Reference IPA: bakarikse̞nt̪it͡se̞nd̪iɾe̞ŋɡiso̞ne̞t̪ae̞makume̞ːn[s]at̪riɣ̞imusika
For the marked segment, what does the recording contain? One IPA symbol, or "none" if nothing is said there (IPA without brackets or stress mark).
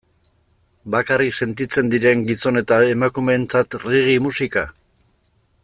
t͡s